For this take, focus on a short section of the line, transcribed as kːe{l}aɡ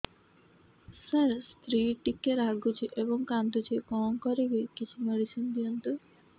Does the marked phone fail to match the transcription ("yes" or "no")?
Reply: yes